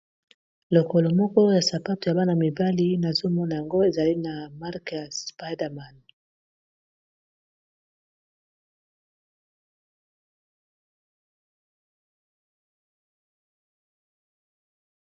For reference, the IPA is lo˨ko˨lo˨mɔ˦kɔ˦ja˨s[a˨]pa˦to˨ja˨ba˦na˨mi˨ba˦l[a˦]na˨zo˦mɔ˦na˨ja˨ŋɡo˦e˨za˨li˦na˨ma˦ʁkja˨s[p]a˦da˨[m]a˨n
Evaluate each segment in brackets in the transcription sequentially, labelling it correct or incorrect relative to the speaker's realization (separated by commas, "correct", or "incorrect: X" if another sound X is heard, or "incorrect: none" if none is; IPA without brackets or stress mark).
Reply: correct, incorrect: i˦, correct, correct